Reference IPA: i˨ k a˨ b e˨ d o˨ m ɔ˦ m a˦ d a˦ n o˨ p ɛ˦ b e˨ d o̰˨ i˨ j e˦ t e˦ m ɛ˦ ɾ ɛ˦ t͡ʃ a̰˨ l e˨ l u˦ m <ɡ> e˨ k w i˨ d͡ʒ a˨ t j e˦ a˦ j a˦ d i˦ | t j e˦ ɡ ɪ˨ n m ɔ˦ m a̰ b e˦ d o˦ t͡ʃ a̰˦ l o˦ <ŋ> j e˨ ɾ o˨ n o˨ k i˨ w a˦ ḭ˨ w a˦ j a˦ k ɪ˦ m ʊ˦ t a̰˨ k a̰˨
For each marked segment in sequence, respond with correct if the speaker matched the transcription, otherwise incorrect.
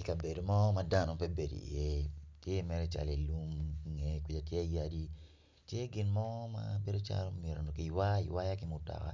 incorrect, incorrect

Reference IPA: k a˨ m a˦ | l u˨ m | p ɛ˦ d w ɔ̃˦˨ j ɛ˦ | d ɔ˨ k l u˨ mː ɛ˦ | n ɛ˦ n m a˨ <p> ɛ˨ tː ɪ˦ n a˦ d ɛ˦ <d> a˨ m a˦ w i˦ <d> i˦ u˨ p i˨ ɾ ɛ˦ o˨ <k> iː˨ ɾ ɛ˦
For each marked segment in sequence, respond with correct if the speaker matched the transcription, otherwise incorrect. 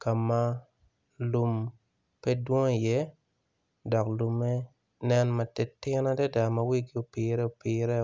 incorrect, correct, incorrect, incorrect

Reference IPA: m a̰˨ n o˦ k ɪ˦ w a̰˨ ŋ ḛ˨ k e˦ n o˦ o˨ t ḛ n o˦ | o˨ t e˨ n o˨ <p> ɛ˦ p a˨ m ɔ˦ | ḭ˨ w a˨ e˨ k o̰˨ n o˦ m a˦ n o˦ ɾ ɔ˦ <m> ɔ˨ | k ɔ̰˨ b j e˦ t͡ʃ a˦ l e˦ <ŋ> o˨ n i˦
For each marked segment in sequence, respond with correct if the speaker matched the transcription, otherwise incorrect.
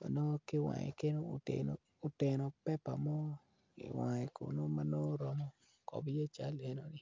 correct, correct, incorrect

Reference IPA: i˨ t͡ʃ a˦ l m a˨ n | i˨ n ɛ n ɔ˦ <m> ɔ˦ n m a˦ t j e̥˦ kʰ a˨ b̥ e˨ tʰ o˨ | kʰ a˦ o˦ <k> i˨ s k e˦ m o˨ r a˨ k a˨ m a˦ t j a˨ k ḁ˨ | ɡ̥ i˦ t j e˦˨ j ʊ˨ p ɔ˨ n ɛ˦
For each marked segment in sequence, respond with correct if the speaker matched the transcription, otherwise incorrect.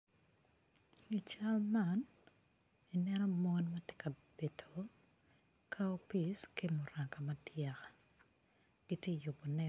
correct, incorrect

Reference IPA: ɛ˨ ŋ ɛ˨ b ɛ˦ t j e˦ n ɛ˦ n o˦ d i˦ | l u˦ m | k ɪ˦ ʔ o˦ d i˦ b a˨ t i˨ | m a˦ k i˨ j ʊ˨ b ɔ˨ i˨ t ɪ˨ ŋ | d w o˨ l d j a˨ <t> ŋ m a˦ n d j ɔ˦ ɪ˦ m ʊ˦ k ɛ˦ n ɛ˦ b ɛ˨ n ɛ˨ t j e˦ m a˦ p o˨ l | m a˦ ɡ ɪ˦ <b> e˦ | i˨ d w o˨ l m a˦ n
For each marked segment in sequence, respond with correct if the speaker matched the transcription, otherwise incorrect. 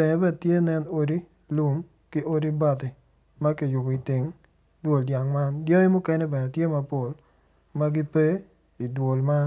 incorrect, incorrect

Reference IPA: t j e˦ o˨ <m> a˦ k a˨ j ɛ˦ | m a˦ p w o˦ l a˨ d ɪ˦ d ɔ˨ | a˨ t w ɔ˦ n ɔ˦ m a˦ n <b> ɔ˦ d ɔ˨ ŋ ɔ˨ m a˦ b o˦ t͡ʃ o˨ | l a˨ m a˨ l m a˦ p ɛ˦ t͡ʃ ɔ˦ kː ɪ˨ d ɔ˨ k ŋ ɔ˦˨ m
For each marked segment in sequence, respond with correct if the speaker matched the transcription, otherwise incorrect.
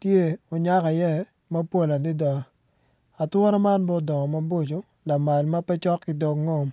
incorrect, correct

